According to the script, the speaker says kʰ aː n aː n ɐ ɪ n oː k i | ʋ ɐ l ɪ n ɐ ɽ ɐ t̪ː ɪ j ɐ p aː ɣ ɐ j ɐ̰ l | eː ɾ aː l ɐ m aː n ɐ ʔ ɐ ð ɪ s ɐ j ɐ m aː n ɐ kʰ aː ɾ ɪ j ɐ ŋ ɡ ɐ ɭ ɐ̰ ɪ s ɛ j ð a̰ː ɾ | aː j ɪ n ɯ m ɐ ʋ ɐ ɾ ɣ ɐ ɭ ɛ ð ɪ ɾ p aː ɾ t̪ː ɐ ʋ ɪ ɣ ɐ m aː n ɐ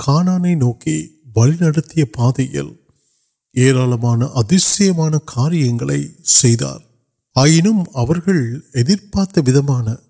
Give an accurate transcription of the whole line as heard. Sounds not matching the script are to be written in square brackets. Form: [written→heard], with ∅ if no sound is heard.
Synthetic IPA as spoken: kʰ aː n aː n ɐ ɪ n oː k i | ʋ ɐ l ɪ n ɐ ɽ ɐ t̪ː ɪ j ɐ p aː [ɣ→ð] ɐ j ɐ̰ l | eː ɾ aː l ɐ m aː n ɐ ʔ ɐ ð ɪ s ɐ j ɐ m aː n ɐ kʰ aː ɾ ɪ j ɐ ŋ ɡ ɐ ɭ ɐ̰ ɪ s ɛ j ð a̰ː ɾ | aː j ɪ n ɯ m ɐ ʋ ɐ ɾ ɣ ɐ ɭ ɛ ð ɪ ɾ p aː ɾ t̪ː ɐ ʋ ɪ [ɣ→ð] ɐ m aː n ɐ